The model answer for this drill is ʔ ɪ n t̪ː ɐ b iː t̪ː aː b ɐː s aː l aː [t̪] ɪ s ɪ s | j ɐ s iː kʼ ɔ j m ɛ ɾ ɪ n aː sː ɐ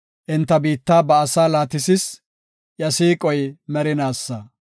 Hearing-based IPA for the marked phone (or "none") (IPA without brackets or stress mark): t̪